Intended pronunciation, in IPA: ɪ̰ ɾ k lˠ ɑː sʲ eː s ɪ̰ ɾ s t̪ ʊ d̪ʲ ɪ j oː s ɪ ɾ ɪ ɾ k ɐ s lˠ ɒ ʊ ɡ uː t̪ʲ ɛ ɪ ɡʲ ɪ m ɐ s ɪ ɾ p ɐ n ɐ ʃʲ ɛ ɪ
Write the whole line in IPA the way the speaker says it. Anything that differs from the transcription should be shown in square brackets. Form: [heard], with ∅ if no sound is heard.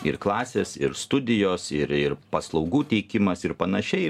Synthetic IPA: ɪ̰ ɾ k lˠ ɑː sʲ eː s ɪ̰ ɾ s t̪ ʊ d̪ʲ ɪ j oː s ɪ ɾ ɪ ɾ [p] ɐ s lˠ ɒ ʊ ɡ uː t̪ʲ ɛ ɪ [kʲ] ɪ m ɐ s ɪ ɾ p ɐ n ɐ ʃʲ ɛ ɪ